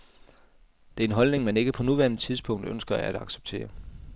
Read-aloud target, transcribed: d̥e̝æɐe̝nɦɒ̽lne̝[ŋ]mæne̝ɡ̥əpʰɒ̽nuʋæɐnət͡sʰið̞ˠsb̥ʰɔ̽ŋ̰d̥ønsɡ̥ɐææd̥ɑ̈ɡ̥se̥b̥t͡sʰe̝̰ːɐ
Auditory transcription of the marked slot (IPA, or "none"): ŋ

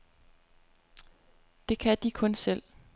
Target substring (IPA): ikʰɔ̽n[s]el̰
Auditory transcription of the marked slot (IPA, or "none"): s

